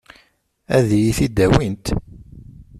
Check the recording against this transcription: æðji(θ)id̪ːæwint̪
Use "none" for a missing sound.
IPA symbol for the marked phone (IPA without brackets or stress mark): θ